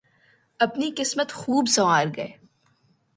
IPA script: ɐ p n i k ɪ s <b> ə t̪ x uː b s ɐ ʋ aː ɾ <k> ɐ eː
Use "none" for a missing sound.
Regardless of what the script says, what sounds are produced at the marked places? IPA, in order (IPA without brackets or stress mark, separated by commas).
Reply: m, ɡ